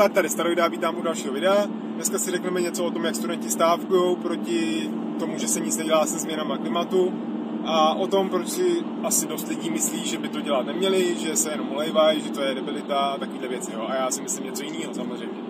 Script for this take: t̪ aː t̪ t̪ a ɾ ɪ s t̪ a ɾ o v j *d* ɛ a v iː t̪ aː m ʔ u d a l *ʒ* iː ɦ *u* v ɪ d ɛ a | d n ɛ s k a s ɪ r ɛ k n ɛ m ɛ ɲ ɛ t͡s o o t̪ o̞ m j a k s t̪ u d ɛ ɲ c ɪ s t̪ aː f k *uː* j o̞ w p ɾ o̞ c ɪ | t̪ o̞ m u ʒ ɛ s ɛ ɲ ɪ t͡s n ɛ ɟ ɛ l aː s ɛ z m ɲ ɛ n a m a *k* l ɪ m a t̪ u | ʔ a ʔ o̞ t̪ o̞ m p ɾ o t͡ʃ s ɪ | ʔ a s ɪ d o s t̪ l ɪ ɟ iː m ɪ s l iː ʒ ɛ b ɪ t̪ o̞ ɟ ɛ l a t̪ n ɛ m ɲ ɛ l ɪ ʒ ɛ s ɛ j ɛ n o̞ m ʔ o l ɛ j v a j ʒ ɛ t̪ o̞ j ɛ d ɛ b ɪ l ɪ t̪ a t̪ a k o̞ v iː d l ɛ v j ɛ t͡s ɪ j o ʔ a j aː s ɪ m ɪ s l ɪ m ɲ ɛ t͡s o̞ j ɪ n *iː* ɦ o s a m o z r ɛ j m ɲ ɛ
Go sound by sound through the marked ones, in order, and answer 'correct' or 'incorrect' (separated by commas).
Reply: correct, incorrect, incorrect, incorrect, correct, correct